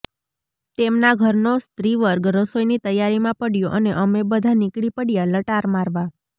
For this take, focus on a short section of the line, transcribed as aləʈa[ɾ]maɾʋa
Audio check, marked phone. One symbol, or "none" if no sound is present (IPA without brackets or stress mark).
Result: ɾ